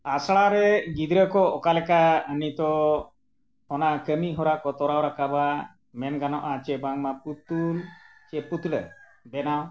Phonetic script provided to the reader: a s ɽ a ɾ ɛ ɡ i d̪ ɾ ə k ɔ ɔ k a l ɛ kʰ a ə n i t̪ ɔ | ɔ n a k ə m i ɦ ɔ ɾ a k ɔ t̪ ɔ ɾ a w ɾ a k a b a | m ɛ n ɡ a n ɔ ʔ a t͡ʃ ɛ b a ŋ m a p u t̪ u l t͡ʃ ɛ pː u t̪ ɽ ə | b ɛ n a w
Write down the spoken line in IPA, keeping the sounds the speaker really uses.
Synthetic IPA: a s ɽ a ɾ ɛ ɡ i d̪ ɾ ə k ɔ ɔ k a l ɛ k a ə n i t̪ ɔ | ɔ n a k ə m i ɦ ɔ ɾ a k ɔ t̪ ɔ ɾ a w ɾ a k a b a | m ɛ n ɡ a n ɔ ʔ a t͡ʃ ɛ b a ŋ m a p u t̪ u l t͡ʃ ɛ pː u t̪ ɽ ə | b ɛ n a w